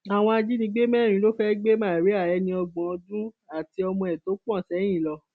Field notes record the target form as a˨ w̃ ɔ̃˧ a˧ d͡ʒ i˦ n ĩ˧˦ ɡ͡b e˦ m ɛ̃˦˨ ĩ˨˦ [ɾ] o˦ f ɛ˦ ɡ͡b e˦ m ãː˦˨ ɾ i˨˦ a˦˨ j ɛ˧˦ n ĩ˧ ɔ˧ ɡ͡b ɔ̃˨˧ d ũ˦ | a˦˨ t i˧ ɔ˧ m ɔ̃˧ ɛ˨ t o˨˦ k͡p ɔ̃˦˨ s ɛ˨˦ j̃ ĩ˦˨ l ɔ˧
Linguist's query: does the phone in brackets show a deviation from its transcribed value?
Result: yes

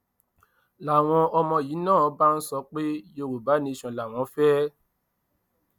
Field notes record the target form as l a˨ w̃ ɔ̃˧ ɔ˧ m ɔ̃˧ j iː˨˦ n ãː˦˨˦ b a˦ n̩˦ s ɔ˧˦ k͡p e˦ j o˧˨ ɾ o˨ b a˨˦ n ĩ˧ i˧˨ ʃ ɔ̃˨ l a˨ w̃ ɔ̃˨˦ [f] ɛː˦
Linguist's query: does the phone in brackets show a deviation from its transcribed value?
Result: no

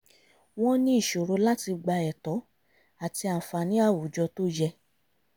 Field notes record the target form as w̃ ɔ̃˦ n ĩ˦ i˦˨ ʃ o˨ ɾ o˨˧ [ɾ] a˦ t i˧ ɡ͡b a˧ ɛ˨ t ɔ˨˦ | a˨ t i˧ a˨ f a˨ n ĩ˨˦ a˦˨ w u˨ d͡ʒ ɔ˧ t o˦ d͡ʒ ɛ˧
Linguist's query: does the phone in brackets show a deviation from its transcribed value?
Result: yes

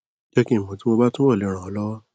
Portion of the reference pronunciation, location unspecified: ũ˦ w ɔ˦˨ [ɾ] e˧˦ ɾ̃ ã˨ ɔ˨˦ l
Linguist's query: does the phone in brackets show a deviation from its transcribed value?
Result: yes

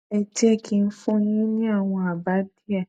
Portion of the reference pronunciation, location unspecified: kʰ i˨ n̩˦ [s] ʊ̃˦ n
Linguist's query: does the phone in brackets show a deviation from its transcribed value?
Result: yes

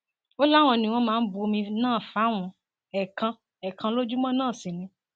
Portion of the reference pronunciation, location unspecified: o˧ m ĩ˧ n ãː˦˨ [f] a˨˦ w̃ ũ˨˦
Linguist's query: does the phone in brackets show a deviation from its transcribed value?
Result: no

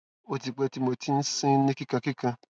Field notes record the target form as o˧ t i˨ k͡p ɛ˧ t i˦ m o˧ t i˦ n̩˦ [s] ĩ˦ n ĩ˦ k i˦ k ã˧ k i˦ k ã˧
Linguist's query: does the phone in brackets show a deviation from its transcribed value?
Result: no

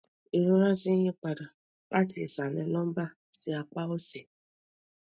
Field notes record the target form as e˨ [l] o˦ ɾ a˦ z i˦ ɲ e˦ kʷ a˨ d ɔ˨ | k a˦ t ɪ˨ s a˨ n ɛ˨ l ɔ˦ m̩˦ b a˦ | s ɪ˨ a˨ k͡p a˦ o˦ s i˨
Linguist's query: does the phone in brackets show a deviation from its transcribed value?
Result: yes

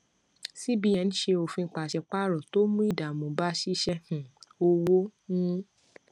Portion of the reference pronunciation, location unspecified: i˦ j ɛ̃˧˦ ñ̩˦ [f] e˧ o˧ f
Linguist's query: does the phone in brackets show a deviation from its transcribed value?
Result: yes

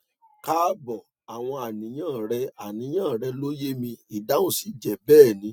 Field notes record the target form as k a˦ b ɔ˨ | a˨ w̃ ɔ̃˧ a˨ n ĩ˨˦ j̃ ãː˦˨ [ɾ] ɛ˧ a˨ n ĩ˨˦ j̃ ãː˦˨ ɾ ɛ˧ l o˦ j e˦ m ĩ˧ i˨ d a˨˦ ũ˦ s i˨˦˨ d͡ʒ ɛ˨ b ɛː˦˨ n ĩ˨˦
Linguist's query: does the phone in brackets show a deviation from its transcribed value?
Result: no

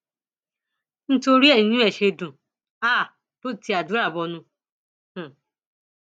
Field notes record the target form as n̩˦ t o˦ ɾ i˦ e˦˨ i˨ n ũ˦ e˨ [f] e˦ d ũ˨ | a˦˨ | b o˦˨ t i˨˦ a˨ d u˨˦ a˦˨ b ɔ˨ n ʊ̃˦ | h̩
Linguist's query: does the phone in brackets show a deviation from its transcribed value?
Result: yes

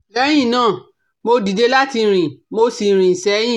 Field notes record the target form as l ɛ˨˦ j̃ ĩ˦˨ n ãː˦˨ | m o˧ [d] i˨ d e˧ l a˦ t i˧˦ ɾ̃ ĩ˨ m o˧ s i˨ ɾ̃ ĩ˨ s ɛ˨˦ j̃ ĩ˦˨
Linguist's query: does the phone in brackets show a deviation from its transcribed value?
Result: no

